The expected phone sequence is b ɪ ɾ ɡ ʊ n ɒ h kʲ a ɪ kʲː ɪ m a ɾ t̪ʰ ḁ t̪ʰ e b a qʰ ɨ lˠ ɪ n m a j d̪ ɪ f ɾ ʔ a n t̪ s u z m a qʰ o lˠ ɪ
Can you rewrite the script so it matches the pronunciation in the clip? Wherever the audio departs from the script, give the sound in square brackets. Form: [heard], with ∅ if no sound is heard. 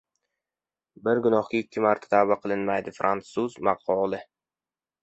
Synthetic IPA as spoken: b ɪ ɾ ɡ ʊ n ɒ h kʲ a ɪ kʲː ɪ m a ɾ t̪ʰ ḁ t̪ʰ [a] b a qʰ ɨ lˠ ɪ n m a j d̪ ɪ f ɾ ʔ a n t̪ s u z m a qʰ [ɒ] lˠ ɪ